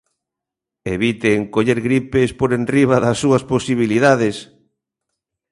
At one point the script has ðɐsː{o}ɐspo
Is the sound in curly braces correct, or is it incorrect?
incorrect